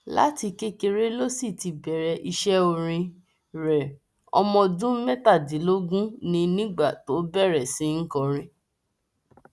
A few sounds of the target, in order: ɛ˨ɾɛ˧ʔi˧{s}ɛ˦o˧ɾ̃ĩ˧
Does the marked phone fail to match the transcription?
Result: yes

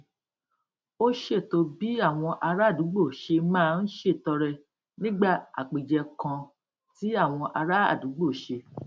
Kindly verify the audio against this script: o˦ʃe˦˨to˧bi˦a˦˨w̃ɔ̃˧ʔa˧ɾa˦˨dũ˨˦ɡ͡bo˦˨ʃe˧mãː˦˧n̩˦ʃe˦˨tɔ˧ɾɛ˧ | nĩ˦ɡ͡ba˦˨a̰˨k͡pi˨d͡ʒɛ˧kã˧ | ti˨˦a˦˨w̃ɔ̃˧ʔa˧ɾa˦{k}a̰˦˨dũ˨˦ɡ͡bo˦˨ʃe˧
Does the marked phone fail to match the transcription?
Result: yes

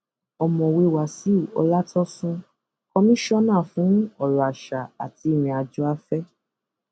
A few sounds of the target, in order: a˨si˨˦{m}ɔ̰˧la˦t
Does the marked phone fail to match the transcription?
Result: yes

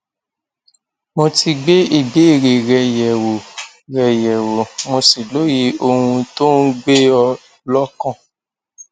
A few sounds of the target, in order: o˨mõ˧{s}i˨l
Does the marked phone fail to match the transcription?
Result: no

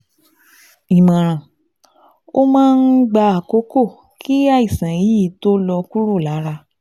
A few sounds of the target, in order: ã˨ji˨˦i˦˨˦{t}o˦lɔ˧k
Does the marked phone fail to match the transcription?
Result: no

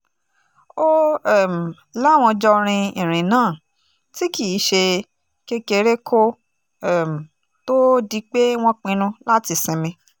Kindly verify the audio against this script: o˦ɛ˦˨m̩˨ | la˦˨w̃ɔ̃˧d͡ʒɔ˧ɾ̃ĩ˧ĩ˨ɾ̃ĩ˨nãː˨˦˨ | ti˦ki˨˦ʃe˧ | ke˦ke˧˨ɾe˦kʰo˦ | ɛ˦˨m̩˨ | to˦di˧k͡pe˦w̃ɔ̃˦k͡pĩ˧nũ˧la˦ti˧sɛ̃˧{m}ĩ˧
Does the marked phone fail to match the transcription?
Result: no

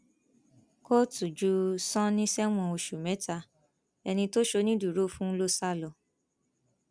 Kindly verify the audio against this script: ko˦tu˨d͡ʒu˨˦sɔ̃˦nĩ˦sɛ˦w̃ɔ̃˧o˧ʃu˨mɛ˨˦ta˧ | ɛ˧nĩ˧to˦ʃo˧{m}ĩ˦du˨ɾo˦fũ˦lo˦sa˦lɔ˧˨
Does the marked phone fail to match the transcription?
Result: yes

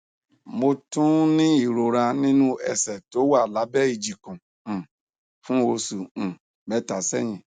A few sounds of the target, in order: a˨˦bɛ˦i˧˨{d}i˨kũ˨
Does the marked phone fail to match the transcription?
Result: yes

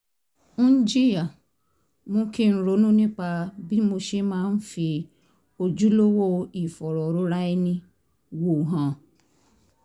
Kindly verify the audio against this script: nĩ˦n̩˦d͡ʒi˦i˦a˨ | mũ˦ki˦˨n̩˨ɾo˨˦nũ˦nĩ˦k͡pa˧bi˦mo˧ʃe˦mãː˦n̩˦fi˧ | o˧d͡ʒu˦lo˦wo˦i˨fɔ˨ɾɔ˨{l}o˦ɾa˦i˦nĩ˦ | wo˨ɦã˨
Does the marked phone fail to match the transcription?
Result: yes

